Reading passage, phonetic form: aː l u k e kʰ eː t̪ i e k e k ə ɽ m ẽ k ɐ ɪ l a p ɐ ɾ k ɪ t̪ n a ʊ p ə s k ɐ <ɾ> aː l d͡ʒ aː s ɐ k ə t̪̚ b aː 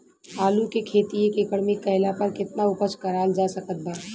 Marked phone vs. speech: correct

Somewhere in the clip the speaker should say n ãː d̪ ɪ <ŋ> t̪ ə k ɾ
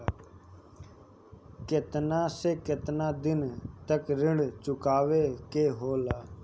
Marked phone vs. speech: incorrect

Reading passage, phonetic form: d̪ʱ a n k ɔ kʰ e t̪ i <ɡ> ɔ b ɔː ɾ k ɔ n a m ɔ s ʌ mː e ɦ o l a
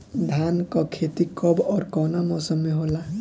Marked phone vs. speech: incorrect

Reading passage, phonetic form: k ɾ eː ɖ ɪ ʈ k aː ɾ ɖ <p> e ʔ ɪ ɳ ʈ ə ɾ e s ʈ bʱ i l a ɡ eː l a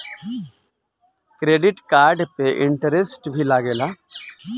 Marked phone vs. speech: correct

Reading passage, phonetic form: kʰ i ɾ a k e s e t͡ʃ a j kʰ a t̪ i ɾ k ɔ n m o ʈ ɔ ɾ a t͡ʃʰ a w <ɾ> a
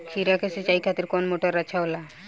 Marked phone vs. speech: incorrect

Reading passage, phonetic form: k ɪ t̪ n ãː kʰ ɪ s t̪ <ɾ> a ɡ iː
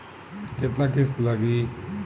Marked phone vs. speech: incorrect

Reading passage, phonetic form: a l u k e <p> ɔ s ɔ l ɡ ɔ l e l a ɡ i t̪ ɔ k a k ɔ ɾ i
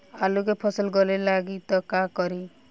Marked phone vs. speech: incorrect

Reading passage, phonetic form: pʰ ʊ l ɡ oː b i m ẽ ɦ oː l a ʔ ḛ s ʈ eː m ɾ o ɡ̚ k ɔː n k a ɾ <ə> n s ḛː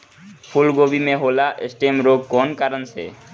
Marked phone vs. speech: correct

